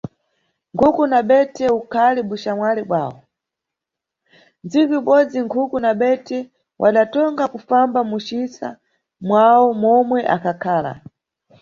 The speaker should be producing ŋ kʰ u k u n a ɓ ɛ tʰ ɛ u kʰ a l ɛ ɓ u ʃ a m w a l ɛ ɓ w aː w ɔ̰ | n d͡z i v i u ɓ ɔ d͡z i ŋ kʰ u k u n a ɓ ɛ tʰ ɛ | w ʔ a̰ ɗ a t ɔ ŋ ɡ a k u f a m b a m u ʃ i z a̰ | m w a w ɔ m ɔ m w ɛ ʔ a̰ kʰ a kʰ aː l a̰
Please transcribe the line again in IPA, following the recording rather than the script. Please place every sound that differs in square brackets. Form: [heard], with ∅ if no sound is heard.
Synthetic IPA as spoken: ŋ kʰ u k u n a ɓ ɛ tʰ ɛ u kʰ a l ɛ ɓ u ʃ a m w a l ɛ ɓ w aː w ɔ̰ | n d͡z i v i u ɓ ɔ d͡z i ŋ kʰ u k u n a ɓ ɛ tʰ ɛ | w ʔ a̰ ɗ a t ɔ ŋ ɡ a k u f a m b a m u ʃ i [s] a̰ | m w a w ɔ m ɔ m w ɛ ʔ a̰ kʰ a kʰ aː l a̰